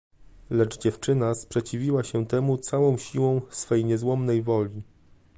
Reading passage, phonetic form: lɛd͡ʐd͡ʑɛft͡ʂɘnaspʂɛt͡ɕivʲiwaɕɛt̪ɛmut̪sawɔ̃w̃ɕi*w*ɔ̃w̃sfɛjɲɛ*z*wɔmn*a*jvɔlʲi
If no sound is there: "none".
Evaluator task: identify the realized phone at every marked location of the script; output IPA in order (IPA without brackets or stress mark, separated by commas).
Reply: w, z, ɛ